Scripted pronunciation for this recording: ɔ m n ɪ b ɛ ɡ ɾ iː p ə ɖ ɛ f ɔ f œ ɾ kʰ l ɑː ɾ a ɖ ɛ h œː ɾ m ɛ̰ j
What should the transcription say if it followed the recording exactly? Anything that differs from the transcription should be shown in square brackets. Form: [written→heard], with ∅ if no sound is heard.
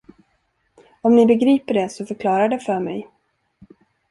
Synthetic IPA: ɔ m n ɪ b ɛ ɡ ɾ iː p ə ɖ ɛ [f→s] ɔ f œ ɾ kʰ l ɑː ɾ a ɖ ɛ [h→f] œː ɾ m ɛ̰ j